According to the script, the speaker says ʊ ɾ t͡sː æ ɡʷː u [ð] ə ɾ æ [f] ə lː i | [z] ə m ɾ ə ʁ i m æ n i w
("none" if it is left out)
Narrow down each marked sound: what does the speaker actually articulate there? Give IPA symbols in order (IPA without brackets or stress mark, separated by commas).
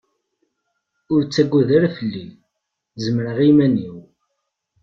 ð, f, z